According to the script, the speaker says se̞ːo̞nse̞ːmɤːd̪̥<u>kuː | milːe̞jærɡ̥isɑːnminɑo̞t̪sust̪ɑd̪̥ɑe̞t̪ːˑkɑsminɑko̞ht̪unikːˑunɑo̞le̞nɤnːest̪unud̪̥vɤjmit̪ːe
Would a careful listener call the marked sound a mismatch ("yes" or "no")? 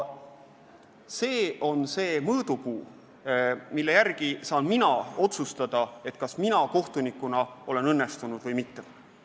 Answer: no